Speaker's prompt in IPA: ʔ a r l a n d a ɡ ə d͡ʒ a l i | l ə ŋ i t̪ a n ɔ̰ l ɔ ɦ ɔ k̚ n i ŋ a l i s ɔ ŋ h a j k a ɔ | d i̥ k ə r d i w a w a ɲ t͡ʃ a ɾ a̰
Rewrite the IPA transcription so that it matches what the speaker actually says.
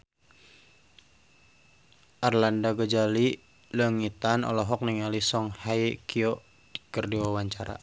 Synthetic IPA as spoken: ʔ a r l a n d a ɡ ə d͡ʒ a l i | l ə ŋ i t̪ a n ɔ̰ l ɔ ɦ ɔ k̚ n i ŋ a l i s ɔ ŋ h a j k i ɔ | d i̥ k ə r d i w a w a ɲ t͡ʃ a ɾ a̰